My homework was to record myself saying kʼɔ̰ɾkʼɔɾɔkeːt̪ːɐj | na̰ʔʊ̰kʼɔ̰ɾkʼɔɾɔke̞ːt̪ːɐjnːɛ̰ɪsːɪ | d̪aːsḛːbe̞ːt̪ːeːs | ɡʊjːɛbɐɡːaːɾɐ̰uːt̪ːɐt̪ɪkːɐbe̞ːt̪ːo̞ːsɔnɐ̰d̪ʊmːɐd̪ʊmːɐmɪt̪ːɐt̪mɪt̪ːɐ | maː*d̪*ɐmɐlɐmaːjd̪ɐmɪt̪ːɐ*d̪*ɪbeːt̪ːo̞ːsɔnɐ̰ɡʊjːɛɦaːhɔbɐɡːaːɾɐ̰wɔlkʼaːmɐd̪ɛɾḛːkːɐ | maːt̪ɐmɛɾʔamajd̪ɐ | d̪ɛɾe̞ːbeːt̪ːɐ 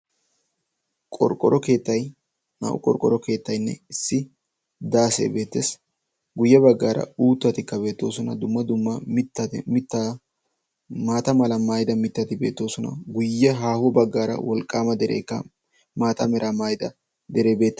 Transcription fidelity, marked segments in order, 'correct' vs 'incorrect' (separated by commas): incorrect, incorrect